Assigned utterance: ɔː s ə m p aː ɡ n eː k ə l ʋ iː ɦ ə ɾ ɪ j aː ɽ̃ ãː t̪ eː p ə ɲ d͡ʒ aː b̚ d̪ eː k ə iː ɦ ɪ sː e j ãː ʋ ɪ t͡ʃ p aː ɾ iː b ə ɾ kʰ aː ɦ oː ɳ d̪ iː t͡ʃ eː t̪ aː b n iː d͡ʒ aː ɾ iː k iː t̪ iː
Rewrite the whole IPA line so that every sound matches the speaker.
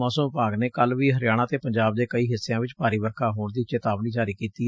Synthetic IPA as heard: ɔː s ə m p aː ɡ n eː k ə l ʋ iː ɦ ə ɾ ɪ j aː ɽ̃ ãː t̪ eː p ə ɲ d͡ʒ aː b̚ d̪ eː k ə iː ɦ ɪ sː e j ãː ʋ ɪ t͡ʃ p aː ɾ iː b ə ɾ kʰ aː ɦ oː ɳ d̪ iː t͡ʃ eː t̪ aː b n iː d͡ʒ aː ɾ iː k iː t̪ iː